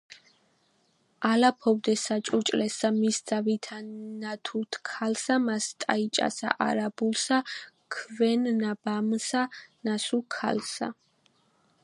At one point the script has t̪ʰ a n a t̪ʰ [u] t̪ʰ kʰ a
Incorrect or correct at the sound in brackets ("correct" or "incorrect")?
correct